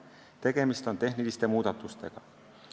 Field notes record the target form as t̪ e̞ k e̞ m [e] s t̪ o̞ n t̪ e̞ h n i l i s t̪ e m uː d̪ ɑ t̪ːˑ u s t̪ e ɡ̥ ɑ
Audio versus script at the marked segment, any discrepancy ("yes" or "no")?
yes